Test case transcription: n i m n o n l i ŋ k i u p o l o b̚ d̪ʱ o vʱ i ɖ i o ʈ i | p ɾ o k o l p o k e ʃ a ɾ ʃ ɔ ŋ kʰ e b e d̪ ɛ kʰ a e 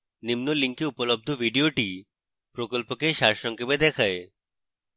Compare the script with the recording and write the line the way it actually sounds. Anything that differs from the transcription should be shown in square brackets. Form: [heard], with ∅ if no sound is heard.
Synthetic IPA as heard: n i m n o [∅] l i ŋ k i u p o l o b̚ d̪ʱ o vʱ i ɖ i o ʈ i | p ɾ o k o l p o k e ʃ a ɾ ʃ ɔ ŋ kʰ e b e d̪ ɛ kʰ a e